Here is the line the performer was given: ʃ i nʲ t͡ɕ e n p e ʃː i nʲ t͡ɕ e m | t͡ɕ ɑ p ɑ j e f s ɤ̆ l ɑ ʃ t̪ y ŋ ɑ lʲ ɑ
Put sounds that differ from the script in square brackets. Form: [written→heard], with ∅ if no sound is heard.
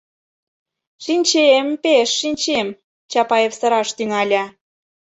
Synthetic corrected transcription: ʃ i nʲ t͡ɕ e [n→m] p e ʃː i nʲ t͡ɕ e m | t͡ɕ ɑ p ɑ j e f s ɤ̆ [l→ɾ] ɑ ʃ t̪ y ŋ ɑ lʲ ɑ